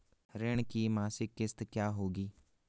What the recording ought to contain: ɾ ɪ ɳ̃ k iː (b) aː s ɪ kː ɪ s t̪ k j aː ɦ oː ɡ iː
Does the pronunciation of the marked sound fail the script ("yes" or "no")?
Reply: yes